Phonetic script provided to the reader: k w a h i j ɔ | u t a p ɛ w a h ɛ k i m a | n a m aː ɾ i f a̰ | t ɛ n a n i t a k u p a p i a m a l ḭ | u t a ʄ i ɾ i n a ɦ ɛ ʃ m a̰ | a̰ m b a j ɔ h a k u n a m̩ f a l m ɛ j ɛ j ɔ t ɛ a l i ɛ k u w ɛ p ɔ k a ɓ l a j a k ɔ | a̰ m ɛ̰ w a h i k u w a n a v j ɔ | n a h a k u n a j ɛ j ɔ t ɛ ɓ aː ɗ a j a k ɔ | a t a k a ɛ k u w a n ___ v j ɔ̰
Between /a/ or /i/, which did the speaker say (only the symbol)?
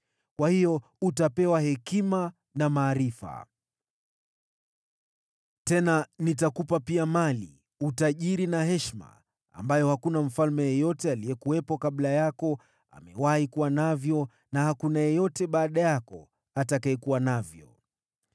a